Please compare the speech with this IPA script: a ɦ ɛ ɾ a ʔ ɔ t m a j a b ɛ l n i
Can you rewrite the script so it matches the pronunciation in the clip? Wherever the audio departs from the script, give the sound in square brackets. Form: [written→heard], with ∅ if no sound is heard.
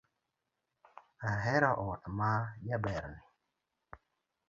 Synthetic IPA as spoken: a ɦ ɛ ɾ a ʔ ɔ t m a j a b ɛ [l→ɾ] n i